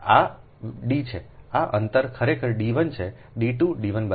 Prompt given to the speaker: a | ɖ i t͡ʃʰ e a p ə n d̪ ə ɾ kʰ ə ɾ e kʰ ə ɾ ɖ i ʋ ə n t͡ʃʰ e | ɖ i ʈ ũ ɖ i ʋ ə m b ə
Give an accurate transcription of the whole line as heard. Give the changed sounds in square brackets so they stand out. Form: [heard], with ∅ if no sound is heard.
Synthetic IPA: a | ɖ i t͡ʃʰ e a [ʔ] ə n [t̪] ə ɾ kʰ ə ɾ e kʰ ə ɾ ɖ i ʋ ə n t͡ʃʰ e | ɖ i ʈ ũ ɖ i ʋ ə [n] b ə